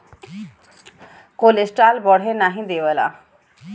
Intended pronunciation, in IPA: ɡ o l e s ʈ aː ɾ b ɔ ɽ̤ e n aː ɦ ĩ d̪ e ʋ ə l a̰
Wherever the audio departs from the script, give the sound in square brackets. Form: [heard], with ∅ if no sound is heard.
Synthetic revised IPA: [k] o l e s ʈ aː [l] b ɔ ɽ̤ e n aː ɦ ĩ d̪ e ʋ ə l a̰